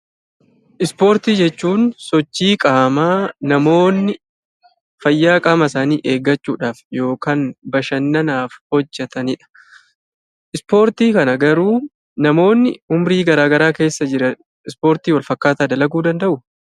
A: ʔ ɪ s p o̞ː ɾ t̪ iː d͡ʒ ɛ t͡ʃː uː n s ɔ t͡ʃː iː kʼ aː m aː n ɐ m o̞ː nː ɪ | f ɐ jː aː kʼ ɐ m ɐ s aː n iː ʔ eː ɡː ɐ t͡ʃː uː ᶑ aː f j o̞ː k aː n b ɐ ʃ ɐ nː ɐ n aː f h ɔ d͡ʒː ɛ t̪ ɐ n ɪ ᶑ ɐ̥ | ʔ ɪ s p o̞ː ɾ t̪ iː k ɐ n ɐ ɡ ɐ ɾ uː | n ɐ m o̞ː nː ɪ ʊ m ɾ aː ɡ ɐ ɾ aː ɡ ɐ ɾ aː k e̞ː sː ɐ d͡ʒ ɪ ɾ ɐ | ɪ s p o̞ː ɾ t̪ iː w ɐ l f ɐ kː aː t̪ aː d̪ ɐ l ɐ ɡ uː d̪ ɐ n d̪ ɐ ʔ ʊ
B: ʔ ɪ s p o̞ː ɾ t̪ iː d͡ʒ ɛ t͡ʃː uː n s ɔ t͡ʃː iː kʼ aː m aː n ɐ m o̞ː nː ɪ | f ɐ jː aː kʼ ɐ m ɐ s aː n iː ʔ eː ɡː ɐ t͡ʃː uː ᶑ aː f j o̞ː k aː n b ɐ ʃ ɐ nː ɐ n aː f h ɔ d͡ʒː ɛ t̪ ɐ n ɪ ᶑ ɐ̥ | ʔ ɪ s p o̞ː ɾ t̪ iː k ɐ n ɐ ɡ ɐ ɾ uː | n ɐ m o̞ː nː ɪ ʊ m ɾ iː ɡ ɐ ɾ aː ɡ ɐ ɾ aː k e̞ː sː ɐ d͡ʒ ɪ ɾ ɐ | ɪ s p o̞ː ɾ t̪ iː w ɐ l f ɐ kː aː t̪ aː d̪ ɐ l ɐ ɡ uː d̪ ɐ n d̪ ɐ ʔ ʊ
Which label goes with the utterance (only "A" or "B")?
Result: B